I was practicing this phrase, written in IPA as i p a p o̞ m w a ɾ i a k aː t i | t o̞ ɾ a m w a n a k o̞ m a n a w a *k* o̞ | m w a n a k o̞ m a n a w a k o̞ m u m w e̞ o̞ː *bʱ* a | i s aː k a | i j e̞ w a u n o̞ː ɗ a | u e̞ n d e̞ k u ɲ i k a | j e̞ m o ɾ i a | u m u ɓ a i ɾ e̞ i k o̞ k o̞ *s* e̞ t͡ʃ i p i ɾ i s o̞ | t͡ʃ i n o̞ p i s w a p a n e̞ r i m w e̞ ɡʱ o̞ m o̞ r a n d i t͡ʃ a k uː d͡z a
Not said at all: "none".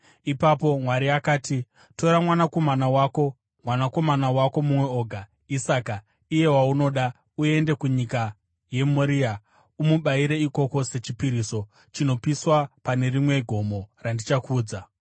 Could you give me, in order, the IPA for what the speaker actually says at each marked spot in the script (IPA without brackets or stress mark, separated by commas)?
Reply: k, ɡʱ, s